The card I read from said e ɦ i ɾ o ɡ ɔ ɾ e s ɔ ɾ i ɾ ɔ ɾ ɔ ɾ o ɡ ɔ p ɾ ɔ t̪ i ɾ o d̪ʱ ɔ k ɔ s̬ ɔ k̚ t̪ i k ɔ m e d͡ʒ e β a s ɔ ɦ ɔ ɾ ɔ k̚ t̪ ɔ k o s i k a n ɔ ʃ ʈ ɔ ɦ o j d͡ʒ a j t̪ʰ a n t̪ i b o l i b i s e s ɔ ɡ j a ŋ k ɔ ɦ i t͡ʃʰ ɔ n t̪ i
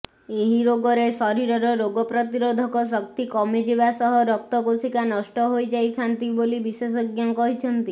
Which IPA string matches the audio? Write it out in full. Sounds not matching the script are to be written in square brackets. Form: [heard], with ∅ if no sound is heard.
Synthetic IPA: e ɦ i ɾ o ɡ ɔ ɾ e s ɔ ɾ i ɾ ɔ ɾ ɔ ɾ o ɡ ɔ p ɾ ɔ t̪ i ɾ o d̪ʱ ɔ k ɔ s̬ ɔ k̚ t̪ i k ɔ m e d͡ʒ e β a s ɔ ɦ ɔ ɾ ɔ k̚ t̪ ɔ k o s i k a n ɔ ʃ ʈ ɔ ɦ o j d͡ʒ a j t̪ʰ a n t̪ i b o l i b i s e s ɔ ɡ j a ŋ k ɔ ɦ i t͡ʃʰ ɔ n t̪ i